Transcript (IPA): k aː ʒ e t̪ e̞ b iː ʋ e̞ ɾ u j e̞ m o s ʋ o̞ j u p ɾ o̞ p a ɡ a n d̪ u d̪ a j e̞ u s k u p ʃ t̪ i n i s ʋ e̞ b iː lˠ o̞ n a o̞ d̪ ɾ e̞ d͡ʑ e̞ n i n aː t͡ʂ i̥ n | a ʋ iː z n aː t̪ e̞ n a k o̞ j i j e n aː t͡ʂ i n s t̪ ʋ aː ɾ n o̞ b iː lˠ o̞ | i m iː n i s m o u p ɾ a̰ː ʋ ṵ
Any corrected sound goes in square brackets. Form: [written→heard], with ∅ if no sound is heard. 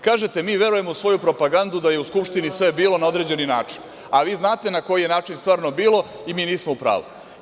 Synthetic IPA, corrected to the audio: k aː ʒ e t̪ e̞ [b→m] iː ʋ e̞ ɾ u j e̞ m o s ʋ o̞ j u p ɾ o̞ p a ɡ a n d̪ u d̪ a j e̞ u s k u p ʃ t̪ i n i s ʋ e̞ b iː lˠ o̞ n a o̞ d̪ ɾ e̞ d͡ʑ e̞ n i n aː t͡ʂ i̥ n | a ʋ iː z n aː t̪ e̞ n a k o̞ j i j e n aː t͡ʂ i n s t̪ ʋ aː ɾ n o̞ b iː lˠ o̞ | i m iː n [i→iː] s m o u p ɾ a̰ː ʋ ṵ